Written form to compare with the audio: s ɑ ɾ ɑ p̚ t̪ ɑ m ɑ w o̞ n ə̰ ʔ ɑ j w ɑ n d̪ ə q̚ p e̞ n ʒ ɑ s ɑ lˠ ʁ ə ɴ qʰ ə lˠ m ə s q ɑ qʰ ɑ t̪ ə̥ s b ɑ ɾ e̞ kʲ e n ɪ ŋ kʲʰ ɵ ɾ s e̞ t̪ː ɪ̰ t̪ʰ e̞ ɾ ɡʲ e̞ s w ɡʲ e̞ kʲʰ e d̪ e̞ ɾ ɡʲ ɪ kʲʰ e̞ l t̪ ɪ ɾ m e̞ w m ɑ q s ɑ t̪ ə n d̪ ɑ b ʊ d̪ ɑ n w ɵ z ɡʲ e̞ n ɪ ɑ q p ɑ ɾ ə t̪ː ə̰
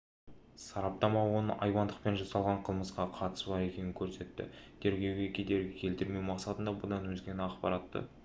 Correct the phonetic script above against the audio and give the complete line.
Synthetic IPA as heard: s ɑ ɾ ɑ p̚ t̪ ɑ m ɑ w o̞ n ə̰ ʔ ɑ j w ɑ n d̪ ə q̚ p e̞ n ʒ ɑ s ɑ lˠ ʁ ɑ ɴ qʰ ə lˠ m ə s q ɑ qʰ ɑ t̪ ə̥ s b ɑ ɾ e̞ kʲ e n ɪ ŋ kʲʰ ɵ ɾ s e̞ t̪ː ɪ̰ t̪ʰ e̞ ɾ ɡʲ e̞ w ɡʲ e̞ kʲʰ e d̪ e̞ ɾ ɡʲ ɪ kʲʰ e̞ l t̪ ɪ ɾ m e̞ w m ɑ q s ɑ t̪ ə n d̪ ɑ b ʊ d̪ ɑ n w ɵ z ɡʲ e̞ n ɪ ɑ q p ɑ ɾ ɑ t̪ː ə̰

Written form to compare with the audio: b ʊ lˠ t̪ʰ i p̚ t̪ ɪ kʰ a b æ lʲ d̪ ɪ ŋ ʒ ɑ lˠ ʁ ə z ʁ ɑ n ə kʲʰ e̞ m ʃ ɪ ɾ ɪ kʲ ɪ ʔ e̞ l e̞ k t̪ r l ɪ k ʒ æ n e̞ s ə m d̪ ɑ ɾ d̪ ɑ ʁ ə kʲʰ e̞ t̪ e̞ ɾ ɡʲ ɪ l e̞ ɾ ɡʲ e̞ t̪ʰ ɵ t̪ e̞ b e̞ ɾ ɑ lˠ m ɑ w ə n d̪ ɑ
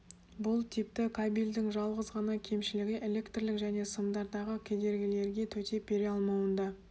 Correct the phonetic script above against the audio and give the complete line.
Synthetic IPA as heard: b ʊ lˠ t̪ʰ i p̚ t̪ ɪ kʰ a b i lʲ d̪ ɪ ŋ ʒ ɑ lˠ ʁ ə z ʁ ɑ n ɑ kʲʰ e̞ m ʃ ɪ l ɪ ɡʲ ɪ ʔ e̞ l e̞ k t̪ r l ɪ k ʒ æ n e̞ s ə m d̪ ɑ ɾ d̪ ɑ ʁ ə kʲʰ e̞ d̪ e̞ ɾ ɡʲ ɪ l e̞ ɾ ɡʲ e̞ t̪ʰ ɵ t̪ e̞ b e̞ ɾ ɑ lˠ m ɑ w ə n d̪ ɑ

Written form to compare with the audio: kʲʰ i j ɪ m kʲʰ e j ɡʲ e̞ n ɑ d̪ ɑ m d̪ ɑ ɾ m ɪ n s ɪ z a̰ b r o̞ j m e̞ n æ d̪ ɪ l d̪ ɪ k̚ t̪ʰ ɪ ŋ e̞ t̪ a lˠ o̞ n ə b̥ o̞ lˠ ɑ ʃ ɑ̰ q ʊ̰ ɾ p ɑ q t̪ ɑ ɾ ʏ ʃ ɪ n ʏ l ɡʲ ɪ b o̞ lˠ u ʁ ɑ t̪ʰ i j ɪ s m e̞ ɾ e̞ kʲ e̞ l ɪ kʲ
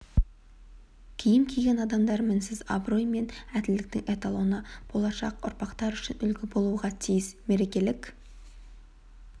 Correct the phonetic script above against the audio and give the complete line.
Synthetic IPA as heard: kʲʰ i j ɪ m kʲʰ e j ɡʲ e̞ n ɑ d̪ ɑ m d̪ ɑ ɾ m ɪ n s ɪ z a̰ b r o̞ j m e̞ n æ d̪ ɪ l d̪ ɪ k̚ t̪ ɪ ŋ e̞ t̪ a lˠ o̞ n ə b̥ o̞ lˠ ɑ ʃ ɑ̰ q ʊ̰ ɾ p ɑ q t̪ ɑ ɾ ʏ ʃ ɪ n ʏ l ɡʲ ɪ b o̞ lˠ u ʁ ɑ t̪ʰ i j ɪ s m e̞ ɾ e̞ kʲ e̞ l ɪ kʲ

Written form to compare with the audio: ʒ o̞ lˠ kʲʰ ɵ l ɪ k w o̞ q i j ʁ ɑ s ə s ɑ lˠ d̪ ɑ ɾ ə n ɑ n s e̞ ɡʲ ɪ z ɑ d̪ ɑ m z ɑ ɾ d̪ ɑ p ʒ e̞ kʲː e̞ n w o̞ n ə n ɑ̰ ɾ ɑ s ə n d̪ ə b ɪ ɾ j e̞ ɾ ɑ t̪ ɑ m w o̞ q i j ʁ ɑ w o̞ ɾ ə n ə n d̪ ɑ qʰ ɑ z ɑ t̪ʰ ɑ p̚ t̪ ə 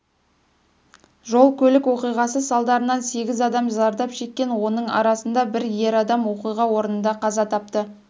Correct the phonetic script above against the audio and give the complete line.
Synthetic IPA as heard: ʒ o̞ lˠ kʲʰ ɵ l ɪ k w o̞ q i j ʁ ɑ s ə s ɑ lˠ d̪ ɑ ɾ ə n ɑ n s e̞ ɡʲ ɪ z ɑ d̪ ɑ m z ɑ ɾ d̪ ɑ p ʃ e̞ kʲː e̞ n w o̞ n ə ɴ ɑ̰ ɾ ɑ s ə n d̪ ɑ b ɪ ɾ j e̞ ɾ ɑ d̪ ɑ m w o̞ q i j ʁ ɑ w o̞ ɾ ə n ə n d̪ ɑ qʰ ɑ z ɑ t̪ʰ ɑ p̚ t̪ ə

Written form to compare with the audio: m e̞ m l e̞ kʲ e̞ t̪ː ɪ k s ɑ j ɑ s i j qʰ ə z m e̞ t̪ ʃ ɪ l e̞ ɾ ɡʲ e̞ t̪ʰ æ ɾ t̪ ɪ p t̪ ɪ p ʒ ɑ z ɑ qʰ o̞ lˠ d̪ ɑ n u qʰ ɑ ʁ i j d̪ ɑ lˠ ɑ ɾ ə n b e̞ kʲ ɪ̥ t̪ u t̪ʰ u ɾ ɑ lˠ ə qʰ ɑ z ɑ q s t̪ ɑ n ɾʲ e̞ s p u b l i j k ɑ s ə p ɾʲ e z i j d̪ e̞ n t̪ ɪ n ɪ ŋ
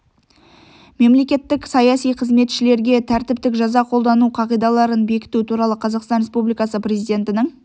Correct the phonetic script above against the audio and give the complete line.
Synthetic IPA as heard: m e̞ m l e̞ kʲ e̞ t̪ː ɪ k s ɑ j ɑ s i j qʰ ə z m e̞ t̪ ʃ ɪ l e̞ ɾ ɡʲ e̞ t̪ʰ æ ɾ t̪ ɪ p t̪ ɪ k ʒ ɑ z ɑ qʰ o̞ lˠ d̪ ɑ n u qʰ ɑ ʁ i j d̪ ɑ lˠ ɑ ɾ ə n b e̞ kʲ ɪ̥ t̪ u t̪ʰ u ɾ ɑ lˠ ə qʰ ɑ z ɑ q s t̪ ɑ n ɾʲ e̞ s p u b l i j k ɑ s ə p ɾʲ e z i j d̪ e̞ n t̪ ɪ n ɪ ŋ

